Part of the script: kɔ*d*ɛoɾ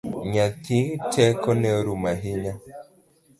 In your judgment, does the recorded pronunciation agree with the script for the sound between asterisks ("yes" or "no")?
no